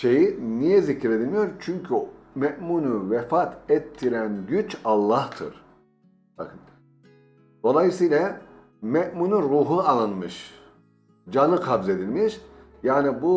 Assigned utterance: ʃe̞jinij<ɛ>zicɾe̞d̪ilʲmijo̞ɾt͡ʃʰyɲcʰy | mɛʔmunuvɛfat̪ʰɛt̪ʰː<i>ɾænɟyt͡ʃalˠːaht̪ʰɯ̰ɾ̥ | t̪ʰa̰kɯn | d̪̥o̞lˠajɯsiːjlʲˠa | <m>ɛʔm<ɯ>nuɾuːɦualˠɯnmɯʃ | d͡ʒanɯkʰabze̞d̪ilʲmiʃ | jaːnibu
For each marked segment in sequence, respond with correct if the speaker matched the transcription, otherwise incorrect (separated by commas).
correct, correct, correct, incorrect